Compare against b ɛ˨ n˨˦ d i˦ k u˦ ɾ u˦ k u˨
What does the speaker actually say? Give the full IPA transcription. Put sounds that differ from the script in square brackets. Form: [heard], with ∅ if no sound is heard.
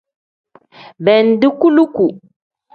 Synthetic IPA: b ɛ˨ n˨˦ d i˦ k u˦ [l] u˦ k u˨